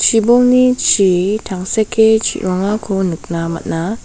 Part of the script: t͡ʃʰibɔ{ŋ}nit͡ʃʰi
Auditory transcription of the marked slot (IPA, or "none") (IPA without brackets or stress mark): ŋ